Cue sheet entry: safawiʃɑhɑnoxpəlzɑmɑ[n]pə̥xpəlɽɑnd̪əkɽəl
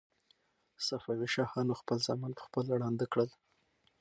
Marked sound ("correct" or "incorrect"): correct